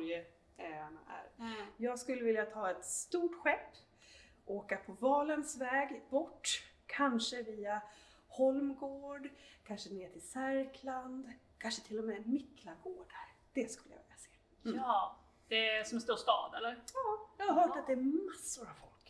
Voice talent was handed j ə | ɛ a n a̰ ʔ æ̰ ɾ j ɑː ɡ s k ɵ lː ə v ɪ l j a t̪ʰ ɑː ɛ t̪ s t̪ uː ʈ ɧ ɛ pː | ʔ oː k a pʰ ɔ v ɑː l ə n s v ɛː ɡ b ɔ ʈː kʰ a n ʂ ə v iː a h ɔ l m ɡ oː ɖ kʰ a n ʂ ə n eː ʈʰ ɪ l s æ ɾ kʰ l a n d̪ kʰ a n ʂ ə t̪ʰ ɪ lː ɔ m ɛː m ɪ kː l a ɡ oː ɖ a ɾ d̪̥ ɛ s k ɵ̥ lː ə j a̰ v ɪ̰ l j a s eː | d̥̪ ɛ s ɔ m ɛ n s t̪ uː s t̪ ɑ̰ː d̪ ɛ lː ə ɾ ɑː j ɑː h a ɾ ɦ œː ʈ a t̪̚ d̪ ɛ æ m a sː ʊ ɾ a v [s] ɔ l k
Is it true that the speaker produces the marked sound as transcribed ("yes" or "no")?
no